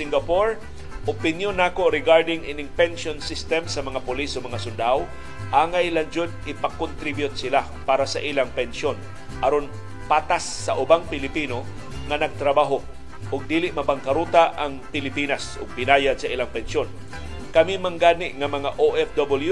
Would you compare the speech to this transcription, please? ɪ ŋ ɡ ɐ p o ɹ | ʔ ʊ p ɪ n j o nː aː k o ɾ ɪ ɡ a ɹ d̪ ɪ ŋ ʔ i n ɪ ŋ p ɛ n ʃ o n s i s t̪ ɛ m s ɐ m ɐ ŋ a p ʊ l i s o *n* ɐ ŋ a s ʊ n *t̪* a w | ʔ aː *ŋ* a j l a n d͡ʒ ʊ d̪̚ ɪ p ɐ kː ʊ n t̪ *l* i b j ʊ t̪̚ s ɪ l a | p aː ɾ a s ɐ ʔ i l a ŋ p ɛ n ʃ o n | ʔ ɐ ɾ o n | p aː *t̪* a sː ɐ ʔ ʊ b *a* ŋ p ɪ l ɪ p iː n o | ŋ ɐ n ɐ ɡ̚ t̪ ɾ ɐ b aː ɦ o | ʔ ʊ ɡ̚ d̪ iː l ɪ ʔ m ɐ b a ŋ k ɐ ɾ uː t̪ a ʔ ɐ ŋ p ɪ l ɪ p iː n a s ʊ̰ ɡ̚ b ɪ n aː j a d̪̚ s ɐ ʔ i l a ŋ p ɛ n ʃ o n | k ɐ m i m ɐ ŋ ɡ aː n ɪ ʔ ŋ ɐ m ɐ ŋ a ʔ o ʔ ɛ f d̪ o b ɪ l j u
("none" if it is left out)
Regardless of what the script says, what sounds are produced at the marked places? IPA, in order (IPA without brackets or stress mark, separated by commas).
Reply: m, d̪, ŋ, ɾ, t̪, a